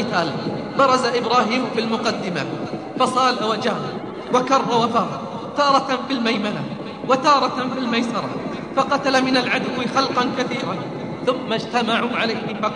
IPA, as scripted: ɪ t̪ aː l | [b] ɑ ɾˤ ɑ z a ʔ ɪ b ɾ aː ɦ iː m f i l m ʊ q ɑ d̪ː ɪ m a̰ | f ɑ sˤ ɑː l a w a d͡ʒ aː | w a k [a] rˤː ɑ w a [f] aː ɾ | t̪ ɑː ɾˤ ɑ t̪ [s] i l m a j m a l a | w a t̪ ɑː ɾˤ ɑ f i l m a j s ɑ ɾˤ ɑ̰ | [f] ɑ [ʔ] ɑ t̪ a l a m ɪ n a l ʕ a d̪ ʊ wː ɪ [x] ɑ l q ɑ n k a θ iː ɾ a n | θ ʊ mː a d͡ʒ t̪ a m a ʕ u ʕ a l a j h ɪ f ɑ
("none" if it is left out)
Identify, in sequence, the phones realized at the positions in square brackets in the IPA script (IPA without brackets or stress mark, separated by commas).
b, ɑ, f, f, f, q, x